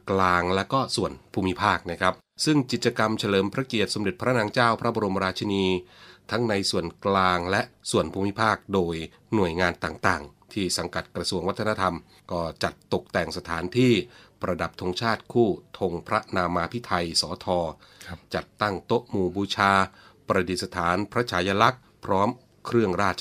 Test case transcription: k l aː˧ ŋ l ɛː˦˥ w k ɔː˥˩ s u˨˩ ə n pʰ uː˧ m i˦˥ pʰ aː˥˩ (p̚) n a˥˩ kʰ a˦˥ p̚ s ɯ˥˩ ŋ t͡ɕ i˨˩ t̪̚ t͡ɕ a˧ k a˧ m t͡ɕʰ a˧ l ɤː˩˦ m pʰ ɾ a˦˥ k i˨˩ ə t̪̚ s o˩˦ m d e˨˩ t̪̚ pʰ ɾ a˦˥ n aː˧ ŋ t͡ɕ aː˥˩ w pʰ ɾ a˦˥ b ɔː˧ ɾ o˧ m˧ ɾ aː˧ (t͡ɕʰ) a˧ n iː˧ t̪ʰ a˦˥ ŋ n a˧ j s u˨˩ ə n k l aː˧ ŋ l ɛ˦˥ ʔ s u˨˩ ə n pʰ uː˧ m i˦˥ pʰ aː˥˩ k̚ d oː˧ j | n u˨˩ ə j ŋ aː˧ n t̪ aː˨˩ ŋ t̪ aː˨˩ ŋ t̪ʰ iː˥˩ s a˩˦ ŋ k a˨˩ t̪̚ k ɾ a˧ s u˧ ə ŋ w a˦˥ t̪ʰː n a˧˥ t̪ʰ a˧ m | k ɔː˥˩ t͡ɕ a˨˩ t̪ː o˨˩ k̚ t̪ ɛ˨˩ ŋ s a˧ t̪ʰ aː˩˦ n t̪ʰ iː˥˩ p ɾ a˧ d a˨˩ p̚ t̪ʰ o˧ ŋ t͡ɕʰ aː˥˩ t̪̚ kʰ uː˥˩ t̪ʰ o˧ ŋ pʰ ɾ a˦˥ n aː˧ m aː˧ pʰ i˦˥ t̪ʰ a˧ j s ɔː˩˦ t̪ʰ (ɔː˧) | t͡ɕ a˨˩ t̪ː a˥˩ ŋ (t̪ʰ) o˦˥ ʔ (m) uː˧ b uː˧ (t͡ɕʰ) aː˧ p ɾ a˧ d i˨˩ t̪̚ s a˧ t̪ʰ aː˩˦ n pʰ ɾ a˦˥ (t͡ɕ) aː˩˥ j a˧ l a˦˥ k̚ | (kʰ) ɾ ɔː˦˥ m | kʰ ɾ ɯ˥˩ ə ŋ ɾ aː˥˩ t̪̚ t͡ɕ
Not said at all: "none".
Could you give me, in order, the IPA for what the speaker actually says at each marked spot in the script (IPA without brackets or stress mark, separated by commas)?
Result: k̚, t͡ɕʰ, ɔː˧, t̪, m, t͡ɕʰ, t͡ɕʰ, pʰ